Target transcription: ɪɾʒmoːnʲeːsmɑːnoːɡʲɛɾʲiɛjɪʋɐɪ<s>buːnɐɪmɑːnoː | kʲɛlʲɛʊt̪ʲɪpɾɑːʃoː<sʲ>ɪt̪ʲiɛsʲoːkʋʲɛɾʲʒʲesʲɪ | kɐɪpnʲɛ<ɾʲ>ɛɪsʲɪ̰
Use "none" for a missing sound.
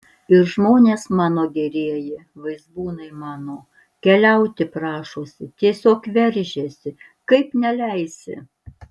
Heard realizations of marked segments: z, sʲ, lʲ

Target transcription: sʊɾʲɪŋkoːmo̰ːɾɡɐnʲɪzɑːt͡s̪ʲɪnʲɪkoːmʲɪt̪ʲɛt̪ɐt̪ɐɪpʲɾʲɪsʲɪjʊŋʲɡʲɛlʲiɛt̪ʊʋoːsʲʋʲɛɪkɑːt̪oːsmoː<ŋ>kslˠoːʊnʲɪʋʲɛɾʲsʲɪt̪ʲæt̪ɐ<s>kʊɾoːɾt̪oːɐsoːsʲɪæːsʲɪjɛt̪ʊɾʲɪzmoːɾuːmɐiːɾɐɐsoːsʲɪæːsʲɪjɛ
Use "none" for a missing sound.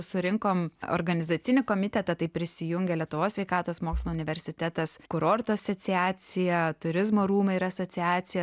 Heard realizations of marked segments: none, s

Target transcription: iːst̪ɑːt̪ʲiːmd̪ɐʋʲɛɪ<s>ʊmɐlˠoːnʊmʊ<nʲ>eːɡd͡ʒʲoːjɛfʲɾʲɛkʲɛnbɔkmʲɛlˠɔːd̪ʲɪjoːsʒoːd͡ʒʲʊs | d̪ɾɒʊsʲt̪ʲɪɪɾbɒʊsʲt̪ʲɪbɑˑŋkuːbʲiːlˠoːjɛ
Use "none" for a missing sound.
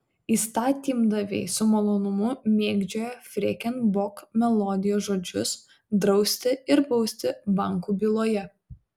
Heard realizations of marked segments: s, mʲ

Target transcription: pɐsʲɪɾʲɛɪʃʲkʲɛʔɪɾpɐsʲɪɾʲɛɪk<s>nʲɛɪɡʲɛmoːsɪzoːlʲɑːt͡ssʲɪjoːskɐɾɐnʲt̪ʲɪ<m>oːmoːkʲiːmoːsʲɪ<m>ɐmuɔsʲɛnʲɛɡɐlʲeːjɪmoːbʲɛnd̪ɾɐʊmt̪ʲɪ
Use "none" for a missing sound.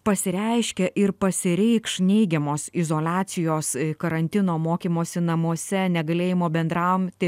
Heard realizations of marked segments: ʃ, n, n

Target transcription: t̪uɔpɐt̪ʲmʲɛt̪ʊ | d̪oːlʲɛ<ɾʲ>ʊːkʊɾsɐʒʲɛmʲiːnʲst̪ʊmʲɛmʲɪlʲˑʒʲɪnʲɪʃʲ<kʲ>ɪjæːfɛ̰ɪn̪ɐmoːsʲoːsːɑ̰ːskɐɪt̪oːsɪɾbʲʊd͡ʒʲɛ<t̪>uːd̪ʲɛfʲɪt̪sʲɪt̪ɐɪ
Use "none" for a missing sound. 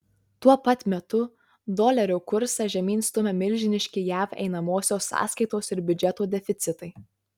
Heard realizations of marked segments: ɾʲ, kʲ, t̪

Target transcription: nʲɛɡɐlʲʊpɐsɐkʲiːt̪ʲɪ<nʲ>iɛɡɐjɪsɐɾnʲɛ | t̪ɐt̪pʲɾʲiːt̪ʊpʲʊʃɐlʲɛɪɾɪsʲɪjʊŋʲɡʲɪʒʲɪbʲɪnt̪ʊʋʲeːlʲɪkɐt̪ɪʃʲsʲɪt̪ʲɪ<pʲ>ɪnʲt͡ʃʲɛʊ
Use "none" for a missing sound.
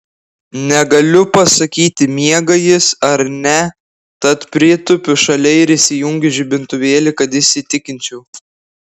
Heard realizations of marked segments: mʲ, kʲ

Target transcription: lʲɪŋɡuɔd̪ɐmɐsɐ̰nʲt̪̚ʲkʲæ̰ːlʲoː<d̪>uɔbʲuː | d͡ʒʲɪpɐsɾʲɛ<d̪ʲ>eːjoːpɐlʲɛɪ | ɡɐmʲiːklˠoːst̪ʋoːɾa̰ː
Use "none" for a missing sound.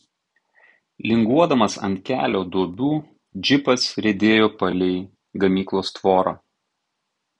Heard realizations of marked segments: d̪, d̪ʲ

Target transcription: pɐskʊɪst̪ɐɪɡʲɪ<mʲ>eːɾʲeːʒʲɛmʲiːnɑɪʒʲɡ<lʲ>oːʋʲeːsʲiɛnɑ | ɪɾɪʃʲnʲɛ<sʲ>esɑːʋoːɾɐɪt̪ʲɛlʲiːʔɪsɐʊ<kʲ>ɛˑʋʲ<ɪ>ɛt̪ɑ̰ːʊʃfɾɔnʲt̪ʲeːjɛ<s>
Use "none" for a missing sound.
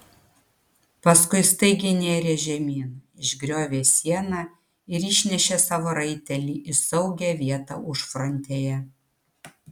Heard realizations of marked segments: nʲ, ɾʲ, ʃʲ, ɡʲ, i, none

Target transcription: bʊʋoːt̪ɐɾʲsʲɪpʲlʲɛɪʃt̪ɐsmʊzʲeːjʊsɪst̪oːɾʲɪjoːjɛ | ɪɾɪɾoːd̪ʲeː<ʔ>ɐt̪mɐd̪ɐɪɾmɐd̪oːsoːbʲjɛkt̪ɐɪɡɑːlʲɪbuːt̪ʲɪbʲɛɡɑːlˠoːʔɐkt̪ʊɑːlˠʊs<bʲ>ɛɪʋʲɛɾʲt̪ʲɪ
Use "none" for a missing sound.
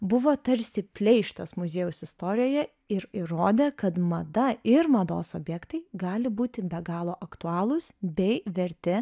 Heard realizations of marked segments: k, bʲ

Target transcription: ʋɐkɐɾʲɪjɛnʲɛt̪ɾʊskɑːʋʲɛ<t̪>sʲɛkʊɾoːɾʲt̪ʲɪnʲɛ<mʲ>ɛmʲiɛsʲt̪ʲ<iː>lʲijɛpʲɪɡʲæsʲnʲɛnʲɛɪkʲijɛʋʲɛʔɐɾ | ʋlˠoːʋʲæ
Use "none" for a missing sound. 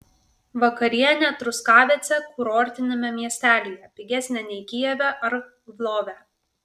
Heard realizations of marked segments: t̪, mʲ, æː

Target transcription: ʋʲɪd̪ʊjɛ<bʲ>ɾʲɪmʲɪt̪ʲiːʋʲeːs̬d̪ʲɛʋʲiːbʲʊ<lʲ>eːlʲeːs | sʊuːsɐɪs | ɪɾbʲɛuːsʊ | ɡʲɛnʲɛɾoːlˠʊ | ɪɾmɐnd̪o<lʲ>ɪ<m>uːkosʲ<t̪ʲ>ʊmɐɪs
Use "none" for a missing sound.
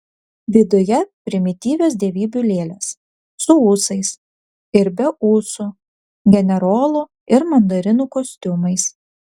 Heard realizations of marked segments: pʲ, lʲ, ɾʲ, n, t̪ʲ

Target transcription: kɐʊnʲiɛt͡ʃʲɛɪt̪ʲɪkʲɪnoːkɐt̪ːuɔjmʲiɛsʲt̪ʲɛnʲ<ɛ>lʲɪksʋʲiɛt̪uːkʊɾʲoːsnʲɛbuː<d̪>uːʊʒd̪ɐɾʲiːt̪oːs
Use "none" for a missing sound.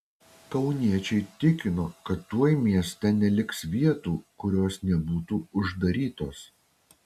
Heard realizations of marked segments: ɛ, t̪

